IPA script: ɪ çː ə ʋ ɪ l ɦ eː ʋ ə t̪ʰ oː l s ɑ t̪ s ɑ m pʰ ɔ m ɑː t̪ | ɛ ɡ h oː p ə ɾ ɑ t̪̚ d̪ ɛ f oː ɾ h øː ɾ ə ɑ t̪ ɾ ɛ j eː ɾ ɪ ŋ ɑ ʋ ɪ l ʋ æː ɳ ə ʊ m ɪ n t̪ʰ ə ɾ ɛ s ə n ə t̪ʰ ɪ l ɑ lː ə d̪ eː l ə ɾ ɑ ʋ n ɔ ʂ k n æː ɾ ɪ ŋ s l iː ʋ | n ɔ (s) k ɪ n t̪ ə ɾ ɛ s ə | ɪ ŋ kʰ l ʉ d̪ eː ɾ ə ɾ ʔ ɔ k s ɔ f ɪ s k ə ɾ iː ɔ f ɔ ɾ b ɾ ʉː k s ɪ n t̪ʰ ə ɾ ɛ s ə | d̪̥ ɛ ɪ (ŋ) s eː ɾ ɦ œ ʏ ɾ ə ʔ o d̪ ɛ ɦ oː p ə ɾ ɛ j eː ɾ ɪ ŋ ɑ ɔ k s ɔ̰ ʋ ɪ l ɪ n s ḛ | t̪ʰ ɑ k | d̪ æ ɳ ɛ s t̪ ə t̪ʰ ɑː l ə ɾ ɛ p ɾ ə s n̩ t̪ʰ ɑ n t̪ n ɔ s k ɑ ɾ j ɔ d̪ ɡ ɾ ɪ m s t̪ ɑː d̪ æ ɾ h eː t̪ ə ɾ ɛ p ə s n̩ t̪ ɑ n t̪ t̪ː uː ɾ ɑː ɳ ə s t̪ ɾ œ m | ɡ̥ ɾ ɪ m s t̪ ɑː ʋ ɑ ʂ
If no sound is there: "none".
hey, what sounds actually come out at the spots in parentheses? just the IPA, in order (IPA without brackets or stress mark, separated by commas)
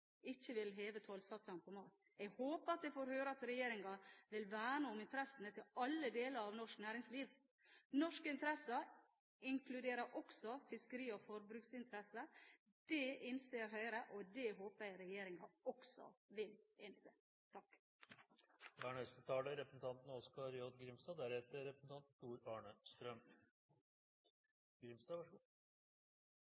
ʂ, n